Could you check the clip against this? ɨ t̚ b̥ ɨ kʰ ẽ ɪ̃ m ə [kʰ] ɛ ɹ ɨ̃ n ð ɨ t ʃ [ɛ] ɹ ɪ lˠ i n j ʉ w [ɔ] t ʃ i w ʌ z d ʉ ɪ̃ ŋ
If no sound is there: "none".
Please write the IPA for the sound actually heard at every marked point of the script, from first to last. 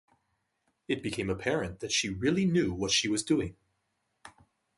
pʰ, i, ʌ

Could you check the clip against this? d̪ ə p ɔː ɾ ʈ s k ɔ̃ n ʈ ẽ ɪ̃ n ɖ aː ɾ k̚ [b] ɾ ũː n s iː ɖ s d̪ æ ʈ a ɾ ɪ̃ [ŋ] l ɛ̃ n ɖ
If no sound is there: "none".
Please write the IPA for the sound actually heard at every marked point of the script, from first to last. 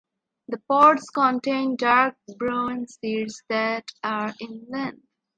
b, n

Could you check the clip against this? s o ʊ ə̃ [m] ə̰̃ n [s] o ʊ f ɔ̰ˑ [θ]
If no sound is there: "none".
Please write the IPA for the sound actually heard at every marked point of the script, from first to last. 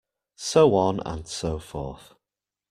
n, s, θ

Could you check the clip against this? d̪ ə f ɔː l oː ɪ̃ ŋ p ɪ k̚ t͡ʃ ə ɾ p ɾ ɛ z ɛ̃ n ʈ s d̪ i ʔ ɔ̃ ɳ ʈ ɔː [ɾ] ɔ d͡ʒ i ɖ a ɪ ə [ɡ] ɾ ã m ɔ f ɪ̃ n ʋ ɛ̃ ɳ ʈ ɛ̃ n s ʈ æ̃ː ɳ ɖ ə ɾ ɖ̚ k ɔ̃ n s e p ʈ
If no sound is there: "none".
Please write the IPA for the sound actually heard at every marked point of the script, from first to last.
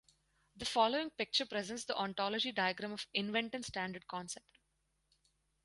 l, ɡ

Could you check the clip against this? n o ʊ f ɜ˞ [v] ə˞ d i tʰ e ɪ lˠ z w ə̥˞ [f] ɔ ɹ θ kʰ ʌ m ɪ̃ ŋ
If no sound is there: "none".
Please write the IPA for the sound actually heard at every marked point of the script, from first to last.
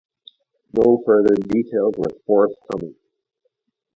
ð, f

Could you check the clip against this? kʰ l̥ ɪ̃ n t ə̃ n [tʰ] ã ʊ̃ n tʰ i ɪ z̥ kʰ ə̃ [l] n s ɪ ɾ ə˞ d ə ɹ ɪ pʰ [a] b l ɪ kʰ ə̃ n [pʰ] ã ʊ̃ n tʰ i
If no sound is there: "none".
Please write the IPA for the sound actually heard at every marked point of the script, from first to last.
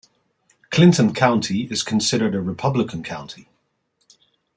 kʰ, none, ʌ, kʰ

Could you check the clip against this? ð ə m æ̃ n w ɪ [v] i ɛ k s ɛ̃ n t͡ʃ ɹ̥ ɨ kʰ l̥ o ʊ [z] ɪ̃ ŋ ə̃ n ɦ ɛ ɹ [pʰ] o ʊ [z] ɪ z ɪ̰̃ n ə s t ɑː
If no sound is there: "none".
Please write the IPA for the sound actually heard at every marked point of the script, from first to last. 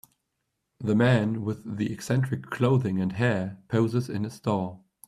ð, ð, pʰ, z

